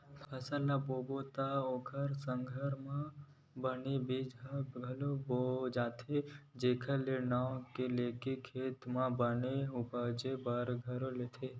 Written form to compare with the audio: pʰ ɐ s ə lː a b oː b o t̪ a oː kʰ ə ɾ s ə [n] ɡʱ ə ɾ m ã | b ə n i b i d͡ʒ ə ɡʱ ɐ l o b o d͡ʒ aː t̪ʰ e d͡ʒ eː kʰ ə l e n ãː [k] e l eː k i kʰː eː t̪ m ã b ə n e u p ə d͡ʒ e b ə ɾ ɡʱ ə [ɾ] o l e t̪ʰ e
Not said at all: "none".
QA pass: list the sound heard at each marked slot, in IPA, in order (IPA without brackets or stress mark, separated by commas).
ŋ, k, ɾ